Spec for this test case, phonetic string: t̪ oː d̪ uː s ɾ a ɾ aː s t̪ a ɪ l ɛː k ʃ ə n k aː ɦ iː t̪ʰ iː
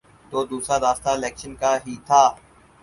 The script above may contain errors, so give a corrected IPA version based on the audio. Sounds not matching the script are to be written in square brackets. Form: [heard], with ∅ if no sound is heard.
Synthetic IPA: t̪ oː d̪ uː s ɾ a ɾ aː s t̪ a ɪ l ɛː k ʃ ə n k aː ɦ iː t̪ʰ [aː]